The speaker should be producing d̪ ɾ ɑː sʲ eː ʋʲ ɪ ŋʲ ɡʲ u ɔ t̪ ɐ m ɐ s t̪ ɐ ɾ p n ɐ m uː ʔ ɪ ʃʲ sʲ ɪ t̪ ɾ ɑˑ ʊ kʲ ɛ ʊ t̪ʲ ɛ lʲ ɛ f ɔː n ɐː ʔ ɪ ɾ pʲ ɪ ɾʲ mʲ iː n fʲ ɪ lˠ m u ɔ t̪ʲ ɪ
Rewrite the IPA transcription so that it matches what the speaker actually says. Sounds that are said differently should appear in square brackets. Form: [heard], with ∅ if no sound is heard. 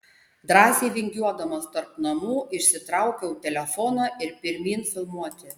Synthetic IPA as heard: d̪ ɾ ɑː sʲ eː ʋʲ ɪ ŋʲ ɡʲ u ɔ [d̪] ɐ m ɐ s t̪ ɐ ɾ p n ɐ m uː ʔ ɪ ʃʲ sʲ ɪ t̪ ɾ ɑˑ ʊ kʲ ɛ ʊ t̪ʲ ɛ lʲ ɛ f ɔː n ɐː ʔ ɪ ɾ pʲ ɪ ɾʲ mʲ iː n fʲ ɪ lˠ m u ɔ t̪ʲ ɪ